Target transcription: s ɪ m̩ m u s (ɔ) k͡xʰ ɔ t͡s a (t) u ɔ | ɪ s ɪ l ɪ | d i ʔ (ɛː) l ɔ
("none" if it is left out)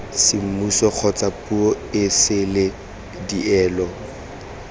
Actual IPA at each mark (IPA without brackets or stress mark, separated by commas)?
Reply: ɔ, p, ɛː